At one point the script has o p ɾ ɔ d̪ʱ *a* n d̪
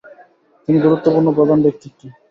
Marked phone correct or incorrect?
correct